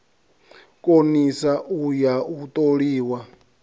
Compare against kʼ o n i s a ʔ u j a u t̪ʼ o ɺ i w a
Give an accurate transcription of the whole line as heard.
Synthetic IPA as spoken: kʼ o n i s a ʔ u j a u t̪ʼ o ɺ iː w a